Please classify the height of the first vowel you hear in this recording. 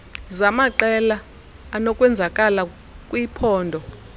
low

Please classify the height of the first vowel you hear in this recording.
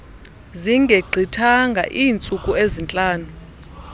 high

